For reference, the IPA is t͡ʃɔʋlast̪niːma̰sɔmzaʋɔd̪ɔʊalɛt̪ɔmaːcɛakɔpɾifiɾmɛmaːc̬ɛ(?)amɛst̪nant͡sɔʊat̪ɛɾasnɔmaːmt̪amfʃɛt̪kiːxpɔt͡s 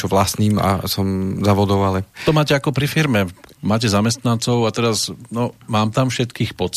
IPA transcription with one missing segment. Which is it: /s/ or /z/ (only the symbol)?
z